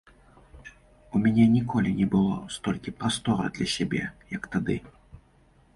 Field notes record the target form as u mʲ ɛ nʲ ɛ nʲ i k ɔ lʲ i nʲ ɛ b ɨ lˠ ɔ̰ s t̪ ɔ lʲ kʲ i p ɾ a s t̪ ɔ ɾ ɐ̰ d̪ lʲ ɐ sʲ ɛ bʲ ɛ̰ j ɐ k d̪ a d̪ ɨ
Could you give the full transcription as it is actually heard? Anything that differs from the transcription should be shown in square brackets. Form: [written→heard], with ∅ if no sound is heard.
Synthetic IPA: u mʲ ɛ nʲ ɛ nʲ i k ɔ lʲ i nʲ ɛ b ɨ lˠ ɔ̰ s t̪ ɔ lʲ kʲ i p ɾ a s t̪ ɔ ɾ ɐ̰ d̪ lʲ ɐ sʲ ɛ bʲ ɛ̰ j ɐ k [d̪→t̪] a d̪ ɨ